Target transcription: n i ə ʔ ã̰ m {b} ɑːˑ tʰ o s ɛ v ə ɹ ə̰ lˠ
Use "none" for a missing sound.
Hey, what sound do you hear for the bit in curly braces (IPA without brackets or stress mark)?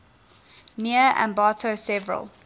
b